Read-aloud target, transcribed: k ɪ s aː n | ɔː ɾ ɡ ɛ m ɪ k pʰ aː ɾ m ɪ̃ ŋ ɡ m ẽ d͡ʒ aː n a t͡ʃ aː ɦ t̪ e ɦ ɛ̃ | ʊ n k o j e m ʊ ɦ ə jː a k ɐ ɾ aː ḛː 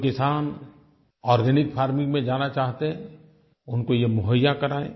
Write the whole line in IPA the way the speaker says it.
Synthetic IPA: k ɪ s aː n | ɔː ɾ ɡ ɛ n ɪ k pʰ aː ɾ m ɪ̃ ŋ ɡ m ẽ d͡ʒ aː n a t͡ʃ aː ɦ t̪ e ɦ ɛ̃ | ʊ n k o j e m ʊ ɦ ə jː a k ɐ ɾ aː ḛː